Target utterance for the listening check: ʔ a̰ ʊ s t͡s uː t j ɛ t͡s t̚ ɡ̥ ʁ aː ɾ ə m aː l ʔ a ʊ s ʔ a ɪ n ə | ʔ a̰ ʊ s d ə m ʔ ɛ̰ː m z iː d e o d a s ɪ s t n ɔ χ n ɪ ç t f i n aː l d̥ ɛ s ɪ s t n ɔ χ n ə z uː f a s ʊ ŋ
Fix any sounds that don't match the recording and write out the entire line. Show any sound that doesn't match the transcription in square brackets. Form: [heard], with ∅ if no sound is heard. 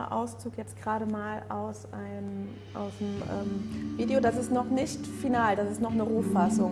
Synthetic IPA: ʔ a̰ ʊ s t͡s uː [k] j ɛ t͡s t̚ ɡ̥ ʁ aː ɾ ə m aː l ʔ a ʊ s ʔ a ɪ n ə | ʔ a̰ ʊ s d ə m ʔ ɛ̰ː m [v] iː d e o d a s ɪ s t n ɔ χ n ɪ ç t f i n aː l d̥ [a] s ɪ s t n ɔ χ n ə [ʁ] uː f a s ʊ ŋ